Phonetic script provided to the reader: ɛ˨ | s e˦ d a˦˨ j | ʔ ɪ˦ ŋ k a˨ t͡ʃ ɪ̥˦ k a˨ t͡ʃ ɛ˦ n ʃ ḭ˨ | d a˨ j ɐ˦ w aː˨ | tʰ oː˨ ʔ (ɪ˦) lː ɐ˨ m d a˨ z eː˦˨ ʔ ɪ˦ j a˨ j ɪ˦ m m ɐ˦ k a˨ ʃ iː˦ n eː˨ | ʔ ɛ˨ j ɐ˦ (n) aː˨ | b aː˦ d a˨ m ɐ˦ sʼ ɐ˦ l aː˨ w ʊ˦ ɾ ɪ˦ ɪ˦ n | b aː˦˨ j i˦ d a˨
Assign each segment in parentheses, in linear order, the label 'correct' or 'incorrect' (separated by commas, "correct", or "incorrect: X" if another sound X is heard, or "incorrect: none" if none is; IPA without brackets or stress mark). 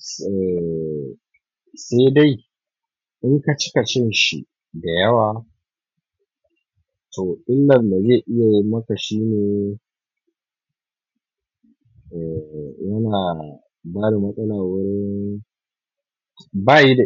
correct, correct